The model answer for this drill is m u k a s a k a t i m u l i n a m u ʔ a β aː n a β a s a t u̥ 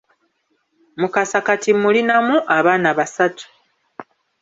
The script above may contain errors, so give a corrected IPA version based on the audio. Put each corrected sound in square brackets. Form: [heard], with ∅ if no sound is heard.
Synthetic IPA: m u k a s a k a t i m u l i n a m u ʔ a β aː n a β a s a t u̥

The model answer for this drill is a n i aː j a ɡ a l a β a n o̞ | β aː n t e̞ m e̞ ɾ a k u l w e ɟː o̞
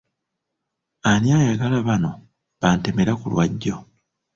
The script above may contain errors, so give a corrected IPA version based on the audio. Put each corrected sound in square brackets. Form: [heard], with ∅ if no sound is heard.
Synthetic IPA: a n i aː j a ɡ a l a β a n o̞ | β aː n t e̞ m e̞ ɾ a k u l w [a] ɟː o̞

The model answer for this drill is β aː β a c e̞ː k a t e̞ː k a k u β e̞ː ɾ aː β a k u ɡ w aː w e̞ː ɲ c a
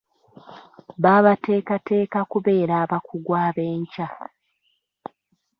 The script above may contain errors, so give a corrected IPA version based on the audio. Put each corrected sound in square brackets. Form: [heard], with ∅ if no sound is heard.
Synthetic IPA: β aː β a [t] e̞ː k a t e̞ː k a k u β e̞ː ɾ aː β a k u ɡ w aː [β] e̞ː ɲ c a

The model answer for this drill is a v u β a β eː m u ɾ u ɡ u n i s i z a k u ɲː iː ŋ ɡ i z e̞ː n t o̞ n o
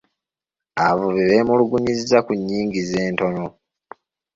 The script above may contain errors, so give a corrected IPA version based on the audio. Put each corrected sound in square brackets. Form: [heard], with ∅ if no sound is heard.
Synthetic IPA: a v u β [i] β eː m u [l] u ɡ u [ɲ] i [z] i z a k u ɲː iː ŋ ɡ i z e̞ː n t o̞ n o

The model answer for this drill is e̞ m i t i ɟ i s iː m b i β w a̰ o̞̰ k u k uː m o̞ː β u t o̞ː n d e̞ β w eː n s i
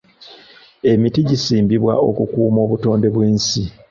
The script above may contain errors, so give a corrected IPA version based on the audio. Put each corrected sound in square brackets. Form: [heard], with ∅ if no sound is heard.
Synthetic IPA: e̞ m i t i ɟ i s iː m b i β w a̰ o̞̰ k u k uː m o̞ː β u t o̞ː n d e̞ β w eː n s i

